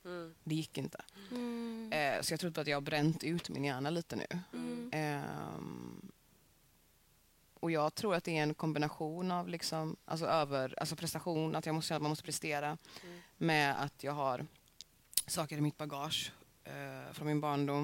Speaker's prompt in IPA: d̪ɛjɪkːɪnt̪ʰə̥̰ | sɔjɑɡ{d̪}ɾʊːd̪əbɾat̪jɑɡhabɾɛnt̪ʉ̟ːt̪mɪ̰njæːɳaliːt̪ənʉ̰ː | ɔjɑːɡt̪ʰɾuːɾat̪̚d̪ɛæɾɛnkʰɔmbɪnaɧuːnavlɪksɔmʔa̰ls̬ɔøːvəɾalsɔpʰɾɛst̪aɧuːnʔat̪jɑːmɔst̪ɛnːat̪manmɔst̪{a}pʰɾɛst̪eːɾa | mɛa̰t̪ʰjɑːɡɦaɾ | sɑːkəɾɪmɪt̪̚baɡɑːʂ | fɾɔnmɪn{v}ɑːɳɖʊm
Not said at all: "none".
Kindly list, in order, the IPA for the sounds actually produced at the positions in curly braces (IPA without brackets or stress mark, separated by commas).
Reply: t̪, ə, b